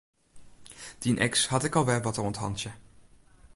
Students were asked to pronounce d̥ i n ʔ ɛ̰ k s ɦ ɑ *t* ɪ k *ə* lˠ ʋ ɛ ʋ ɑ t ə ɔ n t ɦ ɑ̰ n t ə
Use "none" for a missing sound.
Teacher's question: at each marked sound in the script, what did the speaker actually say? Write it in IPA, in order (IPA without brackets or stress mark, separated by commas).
t, ɑ